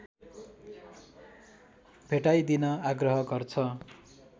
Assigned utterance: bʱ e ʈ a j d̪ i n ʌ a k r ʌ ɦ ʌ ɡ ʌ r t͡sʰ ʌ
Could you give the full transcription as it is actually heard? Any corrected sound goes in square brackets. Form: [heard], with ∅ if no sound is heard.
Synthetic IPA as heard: bʱ e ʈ a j d̪ i n ʌ a [ɡ] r ʌ ɦ ʌ ɡ ʌ r t͡sʰ ʌ